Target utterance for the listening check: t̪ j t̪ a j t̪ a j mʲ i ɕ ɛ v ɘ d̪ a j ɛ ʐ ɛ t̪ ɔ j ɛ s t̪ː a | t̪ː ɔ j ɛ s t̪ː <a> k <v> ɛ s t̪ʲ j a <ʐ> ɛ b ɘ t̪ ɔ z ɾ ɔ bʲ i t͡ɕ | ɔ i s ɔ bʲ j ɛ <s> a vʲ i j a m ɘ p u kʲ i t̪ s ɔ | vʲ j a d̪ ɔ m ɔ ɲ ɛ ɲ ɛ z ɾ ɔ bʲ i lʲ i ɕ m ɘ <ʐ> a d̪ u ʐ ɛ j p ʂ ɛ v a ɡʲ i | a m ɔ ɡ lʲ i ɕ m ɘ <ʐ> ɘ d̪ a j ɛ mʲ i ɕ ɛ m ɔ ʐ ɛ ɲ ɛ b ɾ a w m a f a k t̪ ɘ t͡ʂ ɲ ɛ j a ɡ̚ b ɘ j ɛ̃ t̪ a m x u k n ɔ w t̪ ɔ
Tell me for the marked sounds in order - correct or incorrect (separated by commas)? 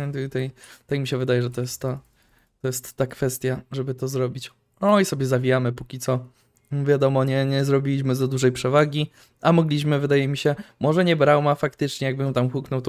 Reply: correct, incorrect, correct, incorrect, incorrect, incorrect